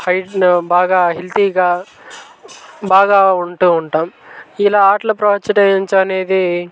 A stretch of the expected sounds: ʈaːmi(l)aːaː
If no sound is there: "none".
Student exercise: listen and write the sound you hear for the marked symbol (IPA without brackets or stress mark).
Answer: l